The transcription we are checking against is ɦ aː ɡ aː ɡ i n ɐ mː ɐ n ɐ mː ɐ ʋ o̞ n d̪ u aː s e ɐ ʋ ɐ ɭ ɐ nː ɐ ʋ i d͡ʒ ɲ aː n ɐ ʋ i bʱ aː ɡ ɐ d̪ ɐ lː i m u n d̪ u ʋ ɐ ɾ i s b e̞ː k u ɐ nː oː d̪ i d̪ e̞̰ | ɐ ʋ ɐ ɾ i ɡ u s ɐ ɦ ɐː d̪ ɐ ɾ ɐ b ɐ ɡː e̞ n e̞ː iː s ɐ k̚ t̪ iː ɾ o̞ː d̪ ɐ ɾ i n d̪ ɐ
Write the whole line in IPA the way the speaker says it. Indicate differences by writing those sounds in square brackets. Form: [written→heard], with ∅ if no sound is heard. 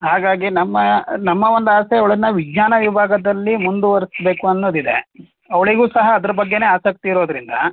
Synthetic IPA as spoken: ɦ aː ɡ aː ɡ i n ɐ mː ɐ n ɐ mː ɐ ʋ o̞ n d̪ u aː s e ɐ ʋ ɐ ɭ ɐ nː ɐ ʋ i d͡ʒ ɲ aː n ɐ ʋ i bʱ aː ɡ ɐ d̪ ɐ lː i m u n d̪ u ʋ ɐ ɾ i s b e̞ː k u ɐ nː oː d̪ i d̪ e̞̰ | ɐ ʋ ɐ [ɾ→ɭ] i ɡ [u→uː] s ɐ ɦ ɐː d̪ ɐ ɾ ɐ b ɐ ɡː e̞ n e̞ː [iː→aː] s ɐ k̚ t̪ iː ɾ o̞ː d̪ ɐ ɾ i n d̪ ɐ